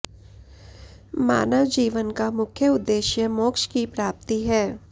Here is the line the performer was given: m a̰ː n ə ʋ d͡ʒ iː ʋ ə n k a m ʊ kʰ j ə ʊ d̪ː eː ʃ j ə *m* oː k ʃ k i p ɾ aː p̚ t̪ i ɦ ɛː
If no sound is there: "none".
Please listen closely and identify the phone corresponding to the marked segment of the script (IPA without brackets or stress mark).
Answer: m